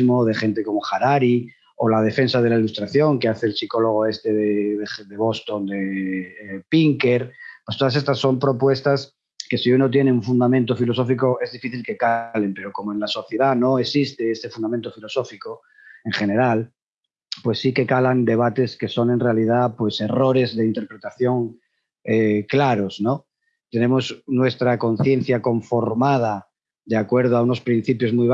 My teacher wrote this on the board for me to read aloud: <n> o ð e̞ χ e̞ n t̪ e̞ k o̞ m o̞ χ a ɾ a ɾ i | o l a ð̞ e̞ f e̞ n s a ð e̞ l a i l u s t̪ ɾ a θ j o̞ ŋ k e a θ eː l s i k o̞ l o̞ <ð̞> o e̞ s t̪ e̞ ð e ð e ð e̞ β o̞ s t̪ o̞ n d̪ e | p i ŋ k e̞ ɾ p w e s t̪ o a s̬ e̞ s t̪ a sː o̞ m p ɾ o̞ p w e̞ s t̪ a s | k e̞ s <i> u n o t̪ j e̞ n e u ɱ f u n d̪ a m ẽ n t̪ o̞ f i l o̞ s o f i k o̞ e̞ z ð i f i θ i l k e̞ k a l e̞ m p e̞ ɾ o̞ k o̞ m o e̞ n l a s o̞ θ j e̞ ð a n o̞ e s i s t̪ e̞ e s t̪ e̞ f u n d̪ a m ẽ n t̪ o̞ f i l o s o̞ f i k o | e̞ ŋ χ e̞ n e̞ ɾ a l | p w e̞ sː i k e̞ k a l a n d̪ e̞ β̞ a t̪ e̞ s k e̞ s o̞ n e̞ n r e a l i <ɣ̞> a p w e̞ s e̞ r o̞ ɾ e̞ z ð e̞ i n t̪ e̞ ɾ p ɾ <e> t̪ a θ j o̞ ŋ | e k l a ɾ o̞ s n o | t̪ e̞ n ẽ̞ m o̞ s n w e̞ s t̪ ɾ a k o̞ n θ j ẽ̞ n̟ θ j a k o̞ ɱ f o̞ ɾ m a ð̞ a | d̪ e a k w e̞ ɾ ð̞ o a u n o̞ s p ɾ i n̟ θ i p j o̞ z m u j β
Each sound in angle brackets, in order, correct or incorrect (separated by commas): incorrect, incorrect, correct, incorrect, correct